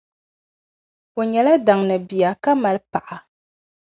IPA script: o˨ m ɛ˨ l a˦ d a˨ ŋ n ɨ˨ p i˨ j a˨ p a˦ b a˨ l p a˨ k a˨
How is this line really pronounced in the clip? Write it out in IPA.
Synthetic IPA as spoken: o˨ ɲ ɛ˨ l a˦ d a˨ ŋ n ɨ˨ b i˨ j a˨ k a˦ m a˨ l p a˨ ʔ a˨